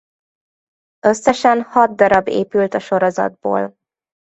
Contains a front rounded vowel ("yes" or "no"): yes